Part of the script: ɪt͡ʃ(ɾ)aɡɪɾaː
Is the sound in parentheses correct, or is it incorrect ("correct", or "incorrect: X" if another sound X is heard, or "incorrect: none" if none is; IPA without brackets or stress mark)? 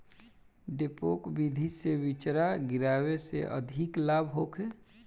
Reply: correct